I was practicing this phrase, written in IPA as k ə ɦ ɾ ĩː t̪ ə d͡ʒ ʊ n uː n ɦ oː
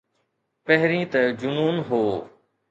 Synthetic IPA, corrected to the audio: p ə ɦ ɾ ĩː t̪ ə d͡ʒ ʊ n uː n ɦ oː